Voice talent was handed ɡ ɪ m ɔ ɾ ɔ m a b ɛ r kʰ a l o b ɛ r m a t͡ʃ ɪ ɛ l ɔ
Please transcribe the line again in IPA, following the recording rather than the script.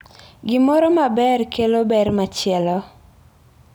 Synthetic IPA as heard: ɡ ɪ m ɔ ɾ ɔ m a b ɛ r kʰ e l o b ɛ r m a t͡ʃ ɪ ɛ l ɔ